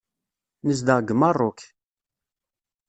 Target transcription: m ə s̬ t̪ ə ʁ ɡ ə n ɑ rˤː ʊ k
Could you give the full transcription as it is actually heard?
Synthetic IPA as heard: n ə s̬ d̪ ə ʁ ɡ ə m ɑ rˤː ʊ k